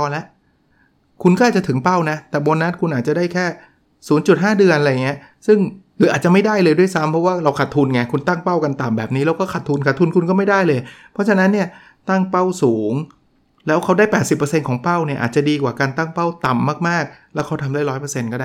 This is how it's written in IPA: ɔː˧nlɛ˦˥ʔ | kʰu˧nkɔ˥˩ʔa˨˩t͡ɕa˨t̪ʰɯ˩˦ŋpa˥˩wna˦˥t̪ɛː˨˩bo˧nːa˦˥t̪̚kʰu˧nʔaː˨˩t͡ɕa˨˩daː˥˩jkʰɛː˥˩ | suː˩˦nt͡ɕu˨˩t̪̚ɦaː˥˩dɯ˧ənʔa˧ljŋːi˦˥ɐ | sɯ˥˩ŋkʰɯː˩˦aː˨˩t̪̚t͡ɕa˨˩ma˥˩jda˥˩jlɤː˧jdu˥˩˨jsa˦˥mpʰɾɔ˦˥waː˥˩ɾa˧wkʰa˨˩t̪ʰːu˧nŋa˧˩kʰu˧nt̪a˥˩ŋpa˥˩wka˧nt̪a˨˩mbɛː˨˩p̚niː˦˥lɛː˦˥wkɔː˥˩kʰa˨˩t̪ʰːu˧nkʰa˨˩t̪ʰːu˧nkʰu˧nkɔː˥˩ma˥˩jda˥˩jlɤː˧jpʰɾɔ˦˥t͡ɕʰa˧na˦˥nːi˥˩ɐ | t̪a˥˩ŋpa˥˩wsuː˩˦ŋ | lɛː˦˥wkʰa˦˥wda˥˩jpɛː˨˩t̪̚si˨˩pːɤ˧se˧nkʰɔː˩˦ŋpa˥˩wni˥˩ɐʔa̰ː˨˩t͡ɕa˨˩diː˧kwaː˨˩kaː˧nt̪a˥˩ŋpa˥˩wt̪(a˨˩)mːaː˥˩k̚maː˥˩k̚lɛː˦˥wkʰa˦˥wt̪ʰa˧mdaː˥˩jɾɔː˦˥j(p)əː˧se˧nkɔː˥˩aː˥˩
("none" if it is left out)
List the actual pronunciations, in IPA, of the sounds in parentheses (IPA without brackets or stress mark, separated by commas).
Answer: a˨˩, p